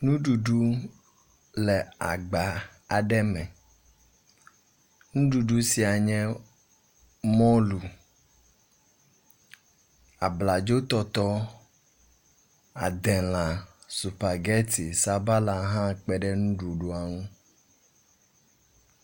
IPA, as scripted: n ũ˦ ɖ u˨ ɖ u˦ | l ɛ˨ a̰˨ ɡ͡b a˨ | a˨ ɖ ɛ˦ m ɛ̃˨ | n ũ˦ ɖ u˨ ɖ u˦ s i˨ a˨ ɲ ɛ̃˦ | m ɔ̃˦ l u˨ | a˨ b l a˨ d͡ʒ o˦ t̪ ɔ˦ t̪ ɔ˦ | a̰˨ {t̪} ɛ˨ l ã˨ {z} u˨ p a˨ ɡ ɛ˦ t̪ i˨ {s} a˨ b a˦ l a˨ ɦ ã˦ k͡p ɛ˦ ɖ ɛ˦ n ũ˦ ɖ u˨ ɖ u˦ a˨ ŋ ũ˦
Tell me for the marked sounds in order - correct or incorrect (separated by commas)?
incorrect, incorrect, correct